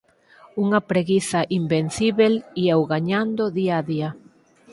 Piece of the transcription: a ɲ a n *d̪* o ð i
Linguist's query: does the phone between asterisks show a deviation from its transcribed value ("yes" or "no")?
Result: no